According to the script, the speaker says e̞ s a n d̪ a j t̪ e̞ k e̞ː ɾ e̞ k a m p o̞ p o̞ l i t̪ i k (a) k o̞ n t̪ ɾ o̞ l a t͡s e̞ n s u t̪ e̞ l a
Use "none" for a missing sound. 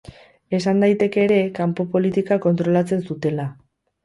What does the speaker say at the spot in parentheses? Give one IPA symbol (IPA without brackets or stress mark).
a